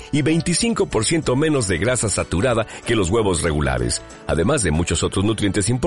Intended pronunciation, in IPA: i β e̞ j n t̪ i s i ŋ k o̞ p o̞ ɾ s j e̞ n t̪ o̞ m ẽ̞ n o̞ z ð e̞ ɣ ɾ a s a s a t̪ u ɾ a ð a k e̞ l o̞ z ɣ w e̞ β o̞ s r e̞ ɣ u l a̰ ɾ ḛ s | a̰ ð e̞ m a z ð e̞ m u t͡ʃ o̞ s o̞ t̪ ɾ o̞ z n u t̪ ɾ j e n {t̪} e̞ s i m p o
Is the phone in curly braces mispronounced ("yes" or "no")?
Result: no